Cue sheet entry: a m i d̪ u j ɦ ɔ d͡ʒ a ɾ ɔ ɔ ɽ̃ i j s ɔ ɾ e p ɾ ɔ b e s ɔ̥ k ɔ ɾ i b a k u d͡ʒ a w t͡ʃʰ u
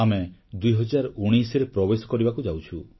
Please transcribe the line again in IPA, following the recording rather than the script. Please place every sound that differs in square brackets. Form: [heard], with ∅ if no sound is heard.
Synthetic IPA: a m [e] d̪ u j ɦ ɔ d͡ʒ a ɾ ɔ [u] ɽ̃ i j s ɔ ɾ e p ɾ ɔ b e s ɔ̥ k ɔ ɾ i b a k u d͡ʒ a w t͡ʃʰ u